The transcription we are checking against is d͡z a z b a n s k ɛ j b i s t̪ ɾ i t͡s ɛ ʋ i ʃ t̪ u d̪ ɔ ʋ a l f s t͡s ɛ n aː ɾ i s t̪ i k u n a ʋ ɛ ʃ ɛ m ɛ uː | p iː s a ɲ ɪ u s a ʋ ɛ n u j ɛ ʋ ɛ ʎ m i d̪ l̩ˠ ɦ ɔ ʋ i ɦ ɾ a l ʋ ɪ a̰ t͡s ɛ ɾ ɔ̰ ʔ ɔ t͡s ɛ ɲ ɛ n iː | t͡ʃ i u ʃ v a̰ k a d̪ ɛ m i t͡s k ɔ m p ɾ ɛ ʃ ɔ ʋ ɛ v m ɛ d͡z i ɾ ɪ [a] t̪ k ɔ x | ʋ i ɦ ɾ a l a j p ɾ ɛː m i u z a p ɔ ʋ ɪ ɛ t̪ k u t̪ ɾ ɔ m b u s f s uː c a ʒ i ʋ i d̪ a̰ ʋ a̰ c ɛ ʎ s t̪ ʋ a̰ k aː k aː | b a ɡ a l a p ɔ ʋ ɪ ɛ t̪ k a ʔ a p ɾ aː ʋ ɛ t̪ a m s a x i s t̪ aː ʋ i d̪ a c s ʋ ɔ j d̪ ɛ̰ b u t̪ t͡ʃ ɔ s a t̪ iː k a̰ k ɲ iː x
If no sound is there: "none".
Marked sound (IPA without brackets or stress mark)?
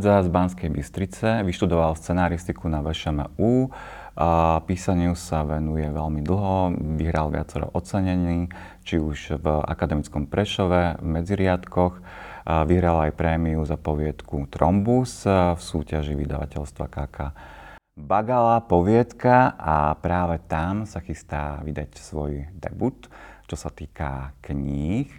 a